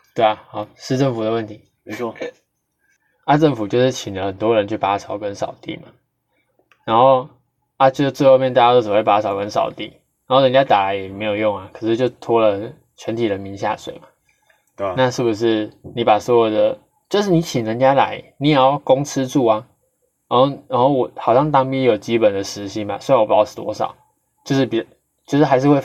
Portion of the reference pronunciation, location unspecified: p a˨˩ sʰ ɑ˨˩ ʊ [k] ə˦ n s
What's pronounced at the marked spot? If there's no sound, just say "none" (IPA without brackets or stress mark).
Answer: k